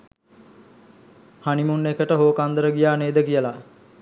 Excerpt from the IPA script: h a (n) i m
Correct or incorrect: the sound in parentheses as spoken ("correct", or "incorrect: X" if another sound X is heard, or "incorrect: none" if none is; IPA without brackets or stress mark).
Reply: correct